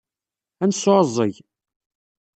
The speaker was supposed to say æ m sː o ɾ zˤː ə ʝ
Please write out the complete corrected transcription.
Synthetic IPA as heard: æ n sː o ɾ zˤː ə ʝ